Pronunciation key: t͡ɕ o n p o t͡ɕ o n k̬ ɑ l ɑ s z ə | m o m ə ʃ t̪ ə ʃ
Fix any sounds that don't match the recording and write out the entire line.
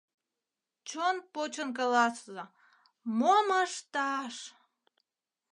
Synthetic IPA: t͡ɕ o n p o t͡ɕ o n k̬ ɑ l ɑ s z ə | m o m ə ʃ t̪ ɑ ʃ